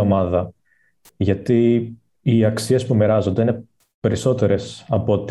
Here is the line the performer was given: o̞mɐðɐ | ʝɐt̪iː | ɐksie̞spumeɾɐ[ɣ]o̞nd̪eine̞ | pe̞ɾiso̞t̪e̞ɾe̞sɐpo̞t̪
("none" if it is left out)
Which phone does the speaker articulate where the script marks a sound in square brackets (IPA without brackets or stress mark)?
z